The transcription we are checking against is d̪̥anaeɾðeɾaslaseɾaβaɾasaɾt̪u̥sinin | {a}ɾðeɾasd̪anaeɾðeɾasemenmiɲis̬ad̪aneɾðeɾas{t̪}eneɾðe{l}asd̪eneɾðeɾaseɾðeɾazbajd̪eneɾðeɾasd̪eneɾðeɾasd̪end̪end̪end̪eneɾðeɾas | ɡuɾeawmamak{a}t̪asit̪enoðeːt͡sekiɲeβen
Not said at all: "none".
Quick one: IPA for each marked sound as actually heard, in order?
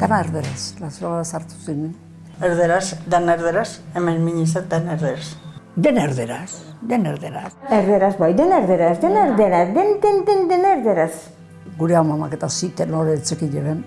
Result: e, d̪, ɾ, e

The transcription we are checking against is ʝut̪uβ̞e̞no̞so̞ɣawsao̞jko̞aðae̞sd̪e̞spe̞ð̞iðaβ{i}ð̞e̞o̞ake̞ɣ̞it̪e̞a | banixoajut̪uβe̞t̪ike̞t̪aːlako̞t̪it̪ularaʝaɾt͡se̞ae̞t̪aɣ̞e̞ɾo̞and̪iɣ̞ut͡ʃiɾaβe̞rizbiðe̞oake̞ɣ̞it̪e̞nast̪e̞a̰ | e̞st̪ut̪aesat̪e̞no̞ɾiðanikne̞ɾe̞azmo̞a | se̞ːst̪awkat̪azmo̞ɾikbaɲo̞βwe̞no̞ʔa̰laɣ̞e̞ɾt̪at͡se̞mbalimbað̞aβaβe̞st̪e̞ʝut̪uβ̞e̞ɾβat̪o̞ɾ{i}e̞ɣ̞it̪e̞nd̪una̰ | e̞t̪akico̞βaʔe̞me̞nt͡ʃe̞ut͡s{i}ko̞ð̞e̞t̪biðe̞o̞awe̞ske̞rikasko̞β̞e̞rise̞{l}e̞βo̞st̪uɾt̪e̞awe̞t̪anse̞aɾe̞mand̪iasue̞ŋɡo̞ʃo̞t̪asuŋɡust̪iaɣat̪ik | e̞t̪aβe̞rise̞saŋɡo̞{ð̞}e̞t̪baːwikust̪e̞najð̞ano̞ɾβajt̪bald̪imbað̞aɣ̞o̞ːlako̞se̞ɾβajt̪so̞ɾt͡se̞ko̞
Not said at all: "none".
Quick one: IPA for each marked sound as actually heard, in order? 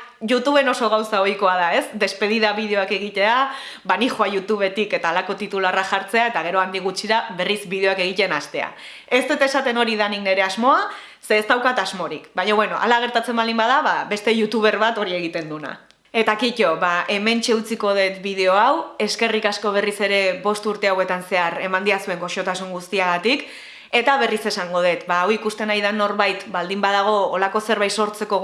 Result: i, i, i, ɾ, ð̞

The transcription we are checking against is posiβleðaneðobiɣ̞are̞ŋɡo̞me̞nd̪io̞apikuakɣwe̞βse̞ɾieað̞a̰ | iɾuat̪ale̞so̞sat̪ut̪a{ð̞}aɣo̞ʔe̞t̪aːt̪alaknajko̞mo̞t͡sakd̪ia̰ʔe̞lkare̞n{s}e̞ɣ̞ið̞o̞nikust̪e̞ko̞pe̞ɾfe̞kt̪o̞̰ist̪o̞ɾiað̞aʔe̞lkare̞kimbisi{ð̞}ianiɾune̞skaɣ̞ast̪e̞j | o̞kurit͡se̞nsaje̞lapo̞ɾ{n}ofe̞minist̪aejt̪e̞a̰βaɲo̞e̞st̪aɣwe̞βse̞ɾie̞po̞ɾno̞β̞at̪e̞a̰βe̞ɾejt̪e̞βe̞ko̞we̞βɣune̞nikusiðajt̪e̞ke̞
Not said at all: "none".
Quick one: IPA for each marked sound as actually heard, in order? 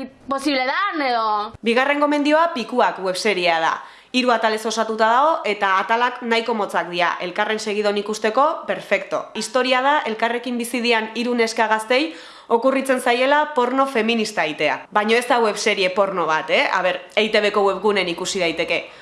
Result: ð̞, s, ð̞, n

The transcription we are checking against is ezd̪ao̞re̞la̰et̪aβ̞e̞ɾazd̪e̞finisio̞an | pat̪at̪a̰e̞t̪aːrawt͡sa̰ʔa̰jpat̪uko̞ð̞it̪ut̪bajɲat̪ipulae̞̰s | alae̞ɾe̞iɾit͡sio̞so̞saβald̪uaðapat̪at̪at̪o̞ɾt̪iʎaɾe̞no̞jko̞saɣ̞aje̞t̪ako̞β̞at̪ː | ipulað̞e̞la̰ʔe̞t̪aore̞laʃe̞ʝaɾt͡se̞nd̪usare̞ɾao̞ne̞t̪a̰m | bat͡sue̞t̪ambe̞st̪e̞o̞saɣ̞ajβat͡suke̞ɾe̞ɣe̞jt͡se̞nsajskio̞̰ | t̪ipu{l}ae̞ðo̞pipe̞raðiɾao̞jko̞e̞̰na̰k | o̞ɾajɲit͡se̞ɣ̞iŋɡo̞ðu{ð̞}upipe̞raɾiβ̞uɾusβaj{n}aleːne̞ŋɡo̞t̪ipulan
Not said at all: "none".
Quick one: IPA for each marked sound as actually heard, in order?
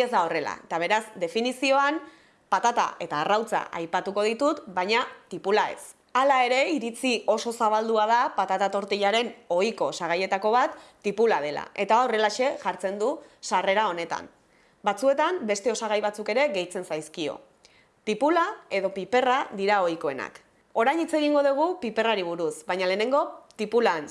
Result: l, ɣ̞, ɲ

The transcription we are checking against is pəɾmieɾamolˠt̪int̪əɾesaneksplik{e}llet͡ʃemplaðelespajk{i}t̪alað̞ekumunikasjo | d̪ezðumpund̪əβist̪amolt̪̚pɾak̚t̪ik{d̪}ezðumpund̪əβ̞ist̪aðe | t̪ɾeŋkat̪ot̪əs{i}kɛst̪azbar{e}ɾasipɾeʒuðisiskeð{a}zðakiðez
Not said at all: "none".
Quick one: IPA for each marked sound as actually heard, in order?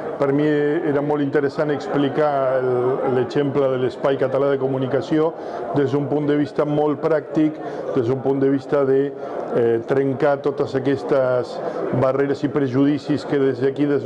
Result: a, a, d̪, a, e, e

